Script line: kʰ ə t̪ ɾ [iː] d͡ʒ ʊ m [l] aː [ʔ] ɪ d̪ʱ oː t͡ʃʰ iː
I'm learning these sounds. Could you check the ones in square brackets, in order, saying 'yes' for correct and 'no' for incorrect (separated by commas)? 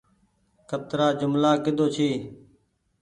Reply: no, yes, no